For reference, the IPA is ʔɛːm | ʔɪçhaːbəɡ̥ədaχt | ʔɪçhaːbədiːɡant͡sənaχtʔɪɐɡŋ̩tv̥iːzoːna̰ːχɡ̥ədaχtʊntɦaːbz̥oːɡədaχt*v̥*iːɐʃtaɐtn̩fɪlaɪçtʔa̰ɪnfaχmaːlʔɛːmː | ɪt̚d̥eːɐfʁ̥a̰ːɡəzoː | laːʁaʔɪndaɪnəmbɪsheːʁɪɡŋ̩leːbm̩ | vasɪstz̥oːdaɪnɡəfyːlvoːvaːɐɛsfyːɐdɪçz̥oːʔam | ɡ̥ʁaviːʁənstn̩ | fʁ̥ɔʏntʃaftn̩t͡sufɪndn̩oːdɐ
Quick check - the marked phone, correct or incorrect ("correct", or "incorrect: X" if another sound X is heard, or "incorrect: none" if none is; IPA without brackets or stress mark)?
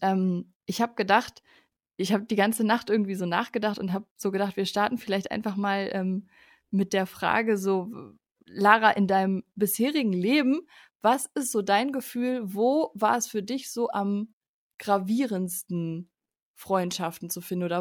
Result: correct